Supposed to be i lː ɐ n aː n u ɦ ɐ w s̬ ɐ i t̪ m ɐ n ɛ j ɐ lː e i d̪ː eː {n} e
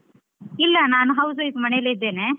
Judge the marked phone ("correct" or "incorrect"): correct